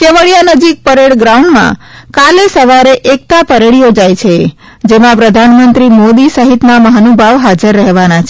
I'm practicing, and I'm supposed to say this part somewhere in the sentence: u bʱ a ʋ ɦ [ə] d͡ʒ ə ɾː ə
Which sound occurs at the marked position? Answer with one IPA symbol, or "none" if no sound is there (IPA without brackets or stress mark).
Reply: a